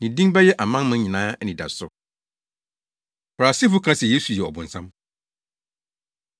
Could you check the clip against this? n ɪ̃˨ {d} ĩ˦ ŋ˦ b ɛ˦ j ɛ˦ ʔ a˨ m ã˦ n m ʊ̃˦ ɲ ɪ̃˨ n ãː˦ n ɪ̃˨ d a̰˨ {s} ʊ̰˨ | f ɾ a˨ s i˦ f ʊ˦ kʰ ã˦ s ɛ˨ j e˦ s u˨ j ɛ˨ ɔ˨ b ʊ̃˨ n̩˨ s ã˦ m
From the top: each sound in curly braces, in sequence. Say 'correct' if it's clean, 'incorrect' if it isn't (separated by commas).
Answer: correct, correct